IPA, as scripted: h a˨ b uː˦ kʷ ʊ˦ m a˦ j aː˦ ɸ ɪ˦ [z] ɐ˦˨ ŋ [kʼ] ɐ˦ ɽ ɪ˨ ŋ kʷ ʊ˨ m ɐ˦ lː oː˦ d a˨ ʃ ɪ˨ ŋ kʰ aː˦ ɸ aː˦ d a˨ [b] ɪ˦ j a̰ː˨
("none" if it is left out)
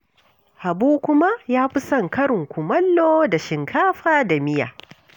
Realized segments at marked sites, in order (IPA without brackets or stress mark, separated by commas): s, k, m